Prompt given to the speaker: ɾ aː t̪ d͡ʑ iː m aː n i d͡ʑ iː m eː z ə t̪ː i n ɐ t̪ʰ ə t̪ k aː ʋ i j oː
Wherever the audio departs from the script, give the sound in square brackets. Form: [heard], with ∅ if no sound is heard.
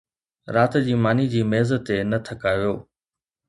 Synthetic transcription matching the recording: ɾ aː t̪ d͡ʑ iː m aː n i d͡ʑ iː m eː z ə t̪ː [e] n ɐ t̪ʰ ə [∅] k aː ʋ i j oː